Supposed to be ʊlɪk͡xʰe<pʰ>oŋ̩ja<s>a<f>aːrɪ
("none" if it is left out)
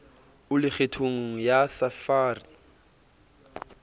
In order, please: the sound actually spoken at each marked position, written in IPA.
tʰ, s, f

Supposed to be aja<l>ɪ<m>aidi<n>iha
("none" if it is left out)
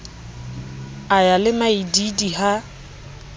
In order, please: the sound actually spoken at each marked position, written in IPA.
l, m, d

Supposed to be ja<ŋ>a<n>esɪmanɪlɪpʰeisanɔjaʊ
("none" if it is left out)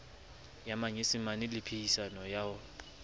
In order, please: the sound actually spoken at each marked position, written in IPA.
m, ɲ

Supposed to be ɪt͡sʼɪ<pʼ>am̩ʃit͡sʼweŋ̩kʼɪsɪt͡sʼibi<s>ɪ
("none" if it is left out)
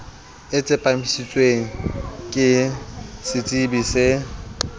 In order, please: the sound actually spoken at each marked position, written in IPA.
pʼ, s

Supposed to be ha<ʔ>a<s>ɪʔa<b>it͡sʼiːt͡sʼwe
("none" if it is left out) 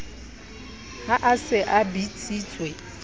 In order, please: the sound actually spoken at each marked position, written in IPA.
ʔ, s, b

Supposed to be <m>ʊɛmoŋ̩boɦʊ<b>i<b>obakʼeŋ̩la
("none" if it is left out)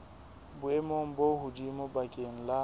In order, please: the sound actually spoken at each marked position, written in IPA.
b, d, m

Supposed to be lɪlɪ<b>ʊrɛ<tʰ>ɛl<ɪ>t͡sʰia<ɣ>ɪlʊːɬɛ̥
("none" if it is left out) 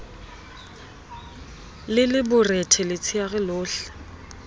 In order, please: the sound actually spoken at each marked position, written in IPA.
b, tʰ, ɪ, ɣ

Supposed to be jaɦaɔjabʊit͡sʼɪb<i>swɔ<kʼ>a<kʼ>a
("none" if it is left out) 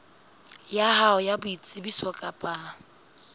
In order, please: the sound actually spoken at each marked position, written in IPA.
i, kʼ, pʼ

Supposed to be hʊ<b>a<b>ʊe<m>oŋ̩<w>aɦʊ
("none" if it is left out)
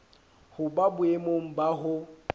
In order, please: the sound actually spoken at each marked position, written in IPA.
b, b, m, b

